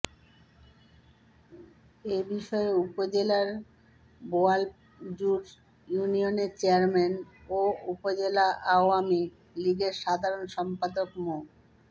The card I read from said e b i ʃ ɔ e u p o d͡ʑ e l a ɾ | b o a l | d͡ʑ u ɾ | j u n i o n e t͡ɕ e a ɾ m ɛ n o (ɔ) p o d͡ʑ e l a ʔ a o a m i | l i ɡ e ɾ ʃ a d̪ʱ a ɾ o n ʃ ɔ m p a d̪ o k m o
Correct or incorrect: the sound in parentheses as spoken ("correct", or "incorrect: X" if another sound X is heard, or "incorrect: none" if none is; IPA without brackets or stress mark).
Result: incorrect: u